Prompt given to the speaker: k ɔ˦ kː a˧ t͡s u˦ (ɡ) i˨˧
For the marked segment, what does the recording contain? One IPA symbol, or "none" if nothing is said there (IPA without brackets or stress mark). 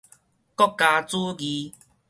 ɡ